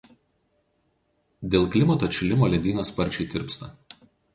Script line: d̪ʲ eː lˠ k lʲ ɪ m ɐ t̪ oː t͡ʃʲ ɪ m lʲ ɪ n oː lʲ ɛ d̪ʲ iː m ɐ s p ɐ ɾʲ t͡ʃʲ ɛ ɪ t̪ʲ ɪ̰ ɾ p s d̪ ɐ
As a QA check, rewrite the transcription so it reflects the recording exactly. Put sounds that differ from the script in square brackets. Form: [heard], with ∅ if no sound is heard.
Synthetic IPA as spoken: d̪ʲ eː lˠ k lʲ ɪ m ɐ t̪ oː t͡ʃʲ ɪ [∅] lʲ ɪ [m] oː lʲ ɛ d̪ʲ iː [n] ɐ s p ɐ ɾʲ t͡ʃʲ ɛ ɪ t̪ʲ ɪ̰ ɾ p s [t̪] ɐ